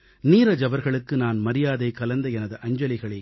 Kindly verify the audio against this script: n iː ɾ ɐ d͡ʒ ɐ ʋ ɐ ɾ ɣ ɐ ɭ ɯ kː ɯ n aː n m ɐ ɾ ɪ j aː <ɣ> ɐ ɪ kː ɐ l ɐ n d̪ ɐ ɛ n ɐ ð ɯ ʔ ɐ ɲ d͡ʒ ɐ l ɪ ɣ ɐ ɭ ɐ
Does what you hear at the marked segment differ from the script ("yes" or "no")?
yes